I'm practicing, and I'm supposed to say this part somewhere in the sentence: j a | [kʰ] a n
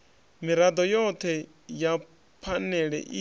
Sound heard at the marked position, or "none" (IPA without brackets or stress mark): pʰ